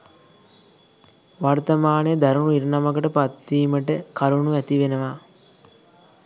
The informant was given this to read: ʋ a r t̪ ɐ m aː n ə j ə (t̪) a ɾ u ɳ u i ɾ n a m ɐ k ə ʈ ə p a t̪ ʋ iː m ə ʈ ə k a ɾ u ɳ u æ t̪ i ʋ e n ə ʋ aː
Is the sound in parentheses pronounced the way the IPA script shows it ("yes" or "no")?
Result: no